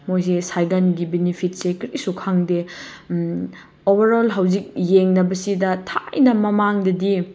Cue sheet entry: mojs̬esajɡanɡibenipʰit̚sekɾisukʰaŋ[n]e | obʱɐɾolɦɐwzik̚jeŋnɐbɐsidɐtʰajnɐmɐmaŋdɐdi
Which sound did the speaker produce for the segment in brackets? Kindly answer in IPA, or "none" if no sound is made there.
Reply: d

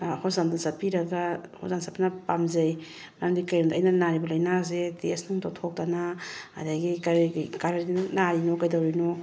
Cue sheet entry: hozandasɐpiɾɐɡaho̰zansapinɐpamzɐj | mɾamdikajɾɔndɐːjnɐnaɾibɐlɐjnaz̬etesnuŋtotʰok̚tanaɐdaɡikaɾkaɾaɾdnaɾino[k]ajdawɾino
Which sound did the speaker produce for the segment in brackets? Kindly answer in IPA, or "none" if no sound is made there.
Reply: k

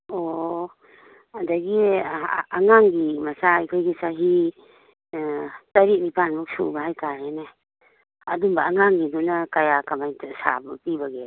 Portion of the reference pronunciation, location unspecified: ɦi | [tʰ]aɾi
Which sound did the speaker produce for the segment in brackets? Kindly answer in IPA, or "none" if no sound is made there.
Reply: t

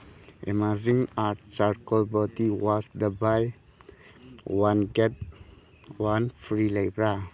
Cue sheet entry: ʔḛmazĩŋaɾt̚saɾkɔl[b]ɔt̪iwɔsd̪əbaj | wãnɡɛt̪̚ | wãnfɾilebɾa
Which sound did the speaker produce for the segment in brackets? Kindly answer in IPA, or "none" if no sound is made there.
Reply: b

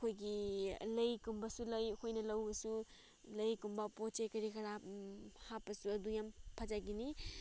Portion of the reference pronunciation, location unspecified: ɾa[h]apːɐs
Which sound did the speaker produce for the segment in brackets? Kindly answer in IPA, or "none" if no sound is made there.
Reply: h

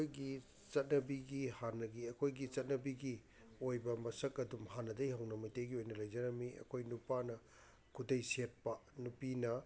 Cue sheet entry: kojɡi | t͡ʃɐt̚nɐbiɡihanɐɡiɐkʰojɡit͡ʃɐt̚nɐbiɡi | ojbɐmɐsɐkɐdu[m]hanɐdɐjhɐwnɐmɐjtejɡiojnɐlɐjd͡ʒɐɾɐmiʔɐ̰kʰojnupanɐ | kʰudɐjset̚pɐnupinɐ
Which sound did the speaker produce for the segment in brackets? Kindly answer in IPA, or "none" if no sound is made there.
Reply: m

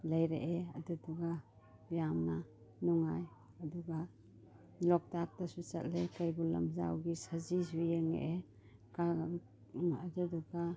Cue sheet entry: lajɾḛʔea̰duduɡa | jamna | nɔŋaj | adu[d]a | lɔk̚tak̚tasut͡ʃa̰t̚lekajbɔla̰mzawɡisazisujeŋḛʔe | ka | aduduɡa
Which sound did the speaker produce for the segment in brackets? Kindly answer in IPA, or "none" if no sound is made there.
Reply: ɡ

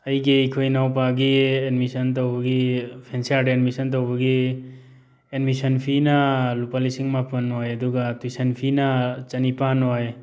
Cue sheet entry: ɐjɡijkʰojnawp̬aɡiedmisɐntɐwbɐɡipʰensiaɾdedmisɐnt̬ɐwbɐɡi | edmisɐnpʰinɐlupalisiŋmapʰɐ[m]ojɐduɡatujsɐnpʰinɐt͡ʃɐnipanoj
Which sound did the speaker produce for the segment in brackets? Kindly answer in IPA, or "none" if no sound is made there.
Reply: n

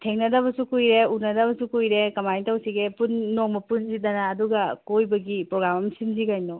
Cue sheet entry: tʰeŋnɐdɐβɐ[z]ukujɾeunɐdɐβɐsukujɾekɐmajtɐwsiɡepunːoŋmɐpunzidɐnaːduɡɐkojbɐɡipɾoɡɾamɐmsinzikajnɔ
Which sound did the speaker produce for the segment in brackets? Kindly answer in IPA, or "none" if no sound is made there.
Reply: s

